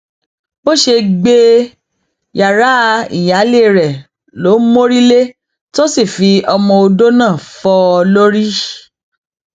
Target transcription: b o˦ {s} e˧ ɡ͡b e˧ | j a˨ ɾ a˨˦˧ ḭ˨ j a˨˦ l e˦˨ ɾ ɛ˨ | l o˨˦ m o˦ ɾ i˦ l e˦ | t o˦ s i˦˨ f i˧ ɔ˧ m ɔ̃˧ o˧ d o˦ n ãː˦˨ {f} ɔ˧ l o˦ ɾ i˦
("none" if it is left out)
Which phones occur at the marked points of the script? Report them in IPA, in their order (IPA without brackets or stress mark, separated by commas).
ʃ, f